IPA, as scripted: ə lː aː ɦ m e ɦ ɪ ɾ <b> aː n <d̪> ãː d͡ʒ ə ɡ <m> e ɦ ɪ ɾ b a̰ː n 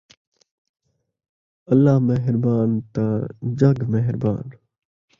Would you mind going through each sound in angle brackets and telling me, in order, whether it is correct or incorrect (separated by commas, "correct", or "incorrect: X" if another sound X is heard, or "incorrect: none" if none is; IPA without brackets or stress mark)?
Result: correct, incorrect: t̪, correct